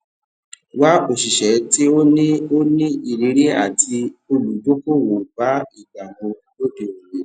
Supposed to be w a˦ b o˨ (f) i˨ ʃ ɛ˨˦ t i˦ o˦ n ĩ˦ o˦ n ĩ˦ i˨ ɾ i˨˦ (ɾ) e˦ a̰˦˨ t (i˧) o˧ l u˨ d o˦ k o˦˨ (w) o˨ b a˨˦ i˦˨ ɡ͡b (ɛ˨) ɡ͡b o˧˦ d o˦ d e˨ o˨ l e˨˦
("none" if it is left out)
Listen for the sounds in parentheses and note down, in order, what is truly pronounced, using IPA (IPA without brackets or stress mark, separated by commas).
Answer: ʃ, ɾ, i˧, w, a˨